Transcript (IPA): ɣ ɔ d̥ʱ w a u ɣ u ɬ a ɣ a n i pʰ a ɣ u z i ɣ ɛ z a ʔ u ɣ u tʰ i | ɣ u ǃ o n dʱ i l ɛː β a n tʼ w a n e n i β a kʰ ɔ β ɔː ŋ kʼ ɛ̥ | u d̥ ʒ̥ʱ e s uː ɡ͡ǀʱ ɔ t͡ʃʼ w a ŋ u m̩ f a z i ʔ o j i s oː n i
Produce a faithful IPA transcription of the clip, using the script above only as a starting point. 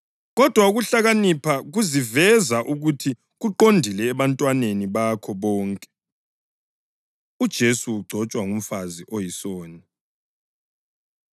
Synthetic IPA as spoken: ɣ ɔ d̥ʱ w a u ɣ u ɬ a ɣ a n i pʰ a ɣ u z i v ɛ z a ʔ u ɣ u tʰ i | ɣ u ǃ o n dʱ i l ɛː β a n tʼ w a n e n i β a kʰ ɔ β ɔː ŋ kʼ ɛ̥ | u d̥ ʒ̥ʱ e s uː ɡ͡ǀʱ ɔ t͡ʃʼ w a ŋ u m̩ f a z i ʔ o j i s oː n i